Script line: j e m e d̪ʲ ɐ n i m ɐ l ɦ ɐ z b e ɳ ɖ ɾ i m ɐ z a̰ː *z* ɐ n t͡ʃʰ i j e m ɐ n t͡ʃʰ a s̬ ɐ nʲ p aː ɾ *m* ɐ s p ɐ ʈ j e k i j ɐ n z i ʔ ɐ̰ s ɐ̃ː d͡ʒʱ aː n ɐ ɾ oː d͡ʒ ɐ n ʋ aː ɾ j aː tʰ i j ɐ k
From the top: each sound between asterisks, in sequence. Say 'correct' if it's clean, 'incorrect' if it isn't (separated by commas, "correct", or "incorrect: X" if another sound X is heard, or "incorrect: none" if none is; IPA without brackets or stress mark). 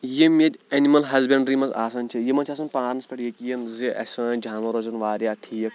incorrect: s, incorrect: n